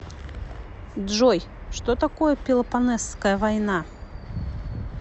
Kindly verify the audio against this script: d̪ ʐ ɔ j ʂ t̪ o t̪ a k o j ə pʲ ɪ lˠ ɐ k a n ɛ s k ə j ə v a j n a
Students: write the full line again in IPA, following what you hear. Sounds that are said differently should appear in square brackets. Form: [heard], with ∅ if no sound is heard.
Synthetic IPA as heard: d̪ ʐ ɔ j ʂ t̪ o t̪ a k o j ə pʲ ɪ lˠ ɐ [p] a n ɛ s k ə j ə v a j n a